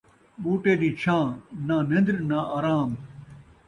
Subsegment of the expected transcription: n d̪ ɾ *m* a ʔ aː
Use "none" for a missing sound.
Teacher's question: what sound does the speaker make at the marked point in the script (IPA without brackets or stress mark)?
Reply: n